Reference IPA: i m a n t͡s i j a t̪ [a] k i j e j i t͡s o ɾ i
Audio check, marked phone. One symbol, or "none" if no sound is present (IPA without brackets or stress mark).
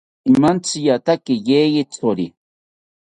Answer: a